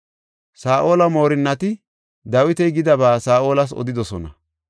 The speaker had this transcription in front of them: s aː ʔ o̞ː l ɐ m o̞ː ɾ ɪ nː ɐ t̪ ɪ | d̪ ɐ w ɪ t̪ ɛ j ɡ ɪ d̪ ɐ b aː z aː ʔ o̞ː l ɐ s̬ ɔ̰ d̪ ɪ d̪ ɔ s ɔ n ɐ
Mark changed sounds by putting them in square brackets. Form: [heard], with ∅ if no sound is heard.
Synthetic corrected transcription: s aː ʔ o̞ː l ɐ m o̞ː ɾ ɪ nː ɐ t̪ ɪ | d̪ ɐ w ɪ t̪ ɛ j ɡ ɪ d̪ ɐ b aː [s] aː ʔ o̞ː l ɐ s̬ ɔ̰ d̪ ɪ d̪ ɔ s ɔ n ɐ

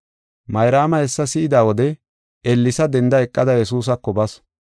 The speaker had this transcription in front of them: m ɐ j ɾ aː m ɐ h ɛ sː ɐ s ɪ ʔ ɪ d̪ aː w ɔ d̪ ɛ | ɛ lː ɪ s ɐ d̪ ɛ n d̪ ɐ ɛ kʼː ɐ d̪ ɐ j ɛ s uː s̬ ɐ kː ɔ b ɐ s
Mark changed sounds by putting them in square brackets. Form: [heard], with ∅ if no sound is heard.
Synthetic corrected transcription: m ɐ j ɾ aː m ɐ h ɛ sː ɐ s ɪ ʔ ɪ d̪ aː w ɔ d̪ ɛ | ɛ lː ɪ s ɐ d̪ ɛ n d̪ ɐ ɛ kʼː ɐ d̪ ɐ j ɛ s uː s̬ ɐ kː ɔ b ɐ s

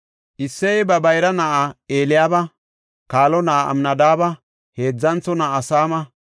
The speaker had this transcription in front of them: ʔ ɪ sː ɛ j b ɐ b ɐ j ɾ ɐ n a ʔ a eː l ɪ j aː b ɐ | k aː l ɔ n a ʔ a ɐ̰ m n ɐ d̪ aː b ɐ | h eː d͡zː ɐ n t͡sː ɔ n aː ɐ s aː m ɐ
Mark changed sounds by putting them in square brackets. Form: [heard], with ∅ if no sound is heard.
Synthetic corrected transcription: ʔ ɪ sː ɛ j b ɐ b ɐ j ɾ ɐ n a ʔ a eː l ɪ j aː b ɐ | k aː l ɔ n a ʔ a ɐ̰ m n ɐ d̪ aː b ɐ | h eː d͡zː ɐ n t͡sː ɔ n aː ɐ s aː m ɐ

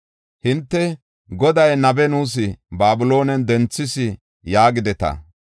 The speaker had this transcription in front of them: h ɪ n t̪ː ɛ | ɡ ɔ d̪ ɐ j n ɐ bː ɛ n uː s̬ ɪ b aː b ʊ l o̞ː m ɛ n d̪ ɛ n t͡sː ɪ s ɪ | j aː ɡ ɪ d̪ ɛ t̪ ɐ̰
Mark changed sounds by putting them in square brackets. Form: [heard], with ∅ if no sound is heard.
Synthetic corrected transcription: h ɪ n t̪ː ɛ | ɡ ɔ d̪ ɐ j n ɐ [b] ɛ n uː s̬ ɪ b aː b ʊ l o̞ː [n] ɛ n d̪ ɛ n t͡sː ɪ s ɪ | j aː ɡ ɪ d̪ ɛ t̪ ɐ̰

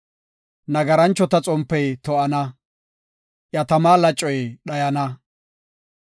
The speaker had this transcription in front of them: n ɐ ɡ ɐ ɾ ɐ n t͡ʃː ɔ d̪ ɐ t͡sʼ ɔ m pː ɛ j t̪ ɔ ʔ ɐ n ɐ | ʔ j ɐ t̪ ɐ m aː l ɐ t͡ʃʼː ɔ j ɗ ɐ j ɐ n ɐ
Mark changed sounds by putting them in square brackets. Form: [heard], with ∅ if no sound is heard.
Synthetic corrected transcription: n ɐ ɡ ɐ ɾ ɐ n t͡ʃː ɔ [t̪] ɐ t͡sʼ ɔ m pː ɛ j t̪ ɔ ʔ ɐ n ɐ | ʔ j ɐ t̪ ɐ m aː l ɐ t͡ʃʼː ɔ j ɗ ɐ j ɐ n ɐ

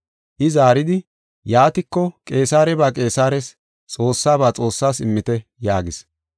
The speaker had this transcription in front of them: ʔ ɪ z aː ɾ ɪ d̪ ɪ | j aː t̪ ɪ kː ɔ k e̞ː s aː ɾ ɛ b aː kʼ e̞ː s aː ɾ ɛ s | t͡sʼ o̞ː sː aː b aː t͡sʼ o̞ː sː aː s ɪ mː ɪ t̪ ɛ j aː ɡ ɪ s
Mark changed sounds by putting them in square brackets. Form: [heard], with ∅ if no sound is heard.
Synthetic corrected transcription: ʔ ɪ z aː ɾ ɪ d̪ ɪ | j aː t̪ ɪ kː ɔ [kʼ] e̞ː s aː ɾ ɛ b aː kʼ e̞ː s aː ɾ ɛ s | t͡sʼ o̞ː sː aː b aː t͡sʼ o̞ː sː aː s ɪ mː ɪ t̪ ɛ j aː ɡ ɪ s

